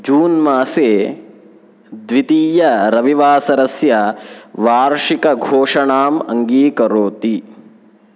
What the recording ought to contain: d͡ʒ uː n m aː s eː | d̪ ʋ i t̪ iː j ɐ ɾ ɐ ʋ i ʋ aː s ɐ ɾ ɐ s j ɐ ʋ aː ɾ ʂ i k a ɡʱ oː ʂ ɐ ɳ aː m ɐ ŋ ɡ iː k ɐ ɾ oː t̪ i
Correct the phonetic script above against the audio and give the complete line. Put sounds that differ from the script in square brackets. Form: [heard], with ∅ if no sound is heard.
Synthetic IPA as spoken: d͡ʒ uː n m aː s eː | d̪ ʋ i t̪ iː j ɐ ɾ ɐ ʋ i ʋ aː s ɐ ɾ ɐ s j ɐ ʋ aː ɾ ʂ i k [ɐ] ɡʱ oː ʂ ɐ ɳ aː m ɐ ŋ ɡ iː k ɐ ɾ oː t̪ i